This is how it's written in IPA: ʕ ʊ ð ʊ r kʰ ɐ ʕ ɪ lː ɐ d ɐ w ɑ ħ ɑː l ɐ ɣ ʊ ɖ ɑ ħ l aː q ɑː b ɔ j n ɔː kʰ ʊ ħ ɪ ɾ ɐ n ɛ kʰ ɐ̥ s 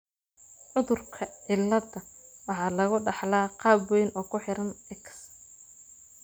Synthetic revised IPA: ʕ ʊ ð ʊ r kʰ ɐ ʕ ɪ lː ɐ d ɐ w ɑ ħ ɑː l ɐ ɣ ʊ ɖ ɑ ħ l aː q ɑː b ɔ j n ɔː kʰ ʊ ħ ɪ ɾ ɐ n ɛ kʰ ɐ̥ s